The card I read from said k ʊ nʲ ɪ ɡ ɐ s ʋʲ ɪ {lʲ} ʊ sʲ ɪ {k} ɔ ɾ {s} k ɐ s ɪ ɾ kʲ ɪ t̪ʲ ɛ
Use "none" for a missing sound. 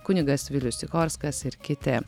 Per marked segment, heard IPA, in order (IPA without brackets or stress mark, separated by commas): lʲ, k, s